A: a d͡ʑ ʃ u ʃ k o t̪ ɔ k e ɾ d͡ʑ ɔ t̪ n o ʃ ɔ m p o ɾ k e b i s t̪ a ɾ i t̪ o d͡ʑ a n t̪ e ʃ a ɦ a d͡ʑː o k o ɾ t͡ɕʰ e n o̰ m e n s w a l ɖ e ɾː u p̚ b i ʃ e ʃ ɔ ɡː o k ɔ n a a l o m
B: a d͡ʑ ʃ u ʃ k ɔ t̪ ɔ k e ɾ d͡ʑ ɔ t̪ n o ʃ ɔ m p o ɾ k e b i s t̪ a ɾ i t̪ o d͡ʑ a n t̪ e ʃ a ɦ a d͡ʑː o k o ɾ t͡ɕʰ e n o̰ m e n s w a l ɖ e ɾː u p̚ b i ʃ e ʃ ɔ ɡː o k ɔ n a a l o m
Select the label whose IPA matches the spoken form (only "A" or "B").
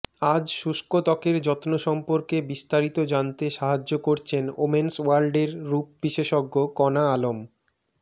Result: A